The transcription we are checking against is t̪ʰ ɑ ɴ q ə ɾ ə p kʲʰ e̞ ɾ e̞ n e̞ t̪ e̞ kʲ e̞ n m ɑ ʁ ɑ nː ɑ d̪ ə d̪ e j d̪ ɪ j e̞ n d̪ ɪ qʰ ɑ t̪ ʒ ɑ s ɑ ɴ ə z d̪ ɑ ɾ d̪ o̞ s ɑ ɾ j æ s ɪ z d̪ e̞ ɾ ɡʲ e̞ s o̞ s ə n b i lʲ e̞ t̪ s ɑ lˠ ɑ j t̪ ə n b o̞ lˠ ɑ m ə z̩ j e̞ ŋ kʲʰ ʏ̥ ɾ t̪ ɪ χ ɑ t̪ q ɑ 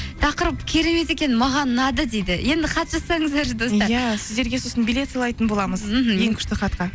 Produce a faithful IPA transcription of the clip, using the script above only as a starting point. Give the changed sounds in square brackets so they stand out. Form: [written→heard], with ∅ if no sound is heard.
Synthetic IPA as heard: t̪ʰ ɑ [ɴ→∅] q ə ɾ ə p kʲʰ e̞ ɾ e̞ [n→m] e̞ t̪ e̞ kʲ e̞ n m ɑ ʁ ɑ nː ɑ d̪ ə d̪ e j d̪ ɪ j e̞ n d̪ ɪ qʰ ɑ t̪ ʒ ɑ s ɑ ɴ ə z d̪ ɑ ɾ d̪ o̞ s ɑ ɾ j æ s ɪ z d̪ e̞ ɾ ɡʲ e̞ s o̞ s ə n b i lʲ e̞ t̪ s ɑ lˠ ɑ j t̪ ə n b o̞ lˠ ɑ m ə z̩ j e̞ ŋ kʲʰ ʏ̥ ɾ t̪ ɪ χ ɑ t̪ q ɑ